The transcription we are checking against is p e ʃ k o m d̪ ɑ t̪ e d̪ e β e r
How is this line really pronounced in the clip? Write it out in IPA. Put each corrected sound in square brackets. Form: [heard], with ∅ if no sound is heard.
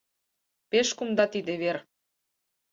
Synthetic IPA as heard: p e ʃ k [u] m d̪ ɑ t̪ [i] d̪ e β e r